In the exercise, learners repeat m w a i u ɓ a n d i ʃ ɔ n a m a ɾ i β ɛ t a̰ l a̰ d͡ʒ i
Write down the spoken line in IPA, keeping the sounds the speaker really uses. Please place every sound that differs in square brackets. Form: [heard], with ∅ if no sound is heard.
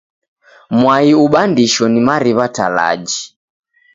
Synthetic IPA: m w a i u ɓ a n d i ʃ ɔ n [i] m a ɾ i β [a] t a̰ l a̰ d͡ʒ i

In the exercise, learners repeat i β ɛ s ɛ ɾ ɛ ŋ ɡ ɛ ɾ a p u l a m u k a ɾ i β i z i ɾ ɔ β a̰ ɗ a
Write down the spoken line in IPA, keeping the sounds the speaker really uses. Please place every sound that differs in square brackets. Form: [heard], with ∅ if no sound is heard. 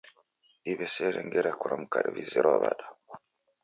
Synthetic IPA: i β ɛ s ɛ ɾ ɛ ŋ ɡ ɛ ɾ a [k] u [ɾ] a m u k a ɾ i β i z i ɾ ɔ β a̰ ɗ a

